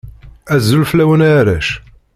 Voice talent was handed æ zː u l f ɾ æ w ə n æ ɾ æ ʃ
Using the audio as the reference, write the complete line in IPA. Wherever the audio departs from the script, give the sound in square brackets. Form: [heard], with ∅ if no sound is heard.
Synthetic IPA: æ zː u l f [l] æ w ə n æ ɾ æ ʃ